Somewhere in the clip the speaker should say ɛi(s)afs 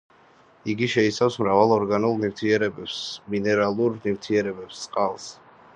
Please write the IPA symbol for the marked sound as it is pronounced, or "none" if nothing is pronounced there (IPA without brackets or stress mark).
s